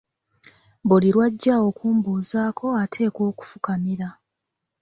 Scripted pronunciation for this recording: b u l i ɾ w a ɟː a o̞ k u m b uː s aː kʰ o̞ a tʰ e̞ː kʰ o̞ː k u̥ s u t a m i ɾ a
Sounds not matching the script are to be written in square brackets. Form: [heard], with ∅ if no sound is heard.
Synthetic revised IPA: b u l i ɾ w a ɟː a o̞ k [uː] m b uː [z] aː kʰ o̞ a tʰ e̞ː [k] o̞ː k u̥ [f] u [k] a m i ɾ a